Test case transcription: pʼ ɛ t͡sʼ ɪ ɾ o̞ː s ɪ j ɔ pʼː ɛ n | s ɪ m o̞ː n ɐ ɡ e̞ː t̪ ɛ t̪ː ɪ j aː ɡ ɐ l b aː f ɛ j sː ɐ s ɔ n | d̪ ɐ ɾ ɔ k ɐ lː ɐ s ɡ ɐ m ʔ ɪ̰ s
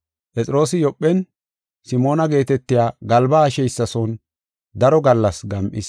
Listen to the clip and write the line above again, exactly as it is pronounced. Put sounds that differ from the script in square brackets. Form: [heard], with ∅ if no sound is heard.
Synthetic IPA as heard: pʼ ɛ t͡sʼ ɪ ɾ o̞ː s ɪ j ɔ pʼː ɛ n | s ɪ m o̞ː n ɐ ɡ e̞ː t̪ ɛ t̪ː ɪ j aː ɡ ɐ l b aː [ʃ] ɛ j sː ɐ s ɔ n | d̪ ɐ ɾ ɔ [ɡ] ɐ lː ɐ s ɡ ɐ m ʔ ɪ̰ s